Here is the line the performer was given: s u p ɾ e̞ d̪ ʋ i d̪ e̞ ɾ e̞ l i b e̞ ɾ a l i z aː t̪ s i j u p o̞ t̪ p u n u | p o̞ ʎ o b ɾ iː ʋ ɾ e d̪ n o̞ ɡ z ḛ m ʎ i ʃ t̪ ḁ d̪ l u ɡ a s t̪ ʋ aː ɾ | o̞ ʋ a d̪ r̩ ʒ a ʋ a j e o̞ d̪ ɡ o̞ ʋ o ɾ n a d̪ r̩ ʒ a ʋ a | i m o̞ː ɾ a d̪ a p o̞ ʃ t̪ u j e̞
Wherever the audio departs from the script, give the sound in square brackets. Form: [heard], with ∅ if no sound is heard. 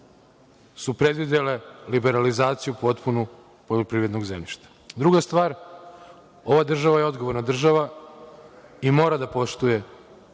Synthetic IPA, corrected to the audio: s u p ɾ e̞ d̪ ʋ i d̪ e̞ [l] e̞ l i b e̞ ɾ a l i z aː t̪ s i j u p o̞ t̪ p u n u | p o̞ ʎ o [p] ɾ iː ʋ ɾ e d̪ n o̞ ɡ z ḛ m ʎ i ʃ t̪ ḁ d̪ [ɾ] u ɡ a s t̪ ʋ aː ɾ | o̞ ʋ a d̪ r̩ ʒ a ʋ a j e o̞ d̪ ɡ o̞ ʋ o ɾ n a d̪ r̩ ʒ a ʋ a | i m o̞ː ɾ a d̪ a p o̞ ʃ t̪ u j e̞